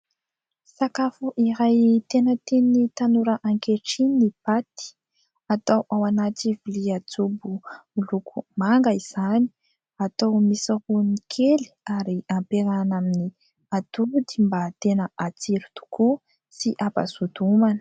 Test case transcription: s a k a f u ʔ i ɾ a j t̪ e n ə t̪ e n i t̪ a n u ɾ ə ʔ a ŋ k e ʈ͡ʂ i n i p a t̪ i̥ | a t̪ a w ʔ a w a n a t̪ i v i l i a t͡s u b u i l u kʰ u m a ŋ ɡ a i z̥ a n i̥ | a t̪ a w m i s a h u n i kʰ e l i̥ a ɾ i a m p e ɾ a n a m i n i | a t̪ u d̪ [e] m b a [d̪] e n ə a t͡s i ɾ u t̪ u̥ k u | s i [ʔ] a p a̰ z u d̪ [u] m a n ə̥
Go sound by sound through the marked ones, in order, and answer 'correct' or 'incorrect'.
incorrect: i, incorrect: t̪, correct, correct

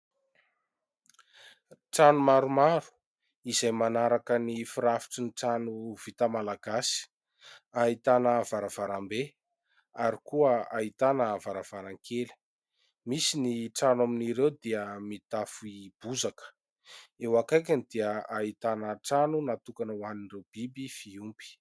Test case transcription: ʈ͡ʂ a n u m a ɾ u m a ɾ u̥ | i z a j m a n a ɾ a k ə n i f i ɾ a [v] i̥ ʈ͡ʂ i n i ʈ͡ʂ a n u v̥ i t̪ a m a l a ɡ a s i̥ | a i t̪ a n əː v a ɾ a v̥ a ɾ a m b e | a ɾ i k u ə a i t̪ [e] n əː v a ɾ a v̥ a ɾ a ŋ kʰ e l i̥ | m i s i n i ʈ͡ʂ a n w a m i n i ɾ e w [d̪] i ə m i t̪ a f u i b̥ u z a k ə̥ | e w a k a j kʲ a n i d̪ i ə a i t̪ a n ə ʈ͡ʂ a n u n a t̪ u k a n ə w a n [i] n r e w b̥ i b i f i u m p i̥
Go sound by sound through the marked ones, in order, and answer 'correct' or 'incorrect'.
incorrect: f, incorrect: a, correct, correct

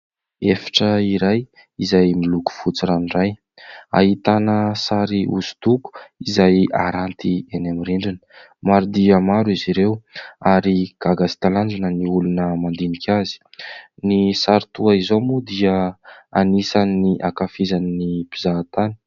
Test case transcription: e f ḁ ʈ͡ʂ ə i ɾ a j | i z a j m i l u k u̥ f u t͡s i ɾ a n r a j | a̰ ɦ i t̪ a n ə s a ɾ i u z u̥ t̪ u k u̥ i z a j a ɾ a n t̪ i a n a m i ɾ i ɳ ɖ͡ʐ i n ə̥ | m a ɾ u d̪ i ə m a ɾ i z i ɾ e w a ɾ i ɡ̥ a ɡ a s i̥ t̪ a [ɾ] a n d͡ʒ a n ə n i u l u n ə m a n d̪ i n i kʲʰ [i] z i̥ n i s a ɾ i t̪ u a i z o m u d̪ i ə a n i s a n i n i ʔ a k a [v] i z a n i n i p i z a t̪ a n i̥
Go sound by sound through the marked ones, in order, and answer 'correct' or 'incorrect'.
incorrect: l, incorrect: a, incorrect: f

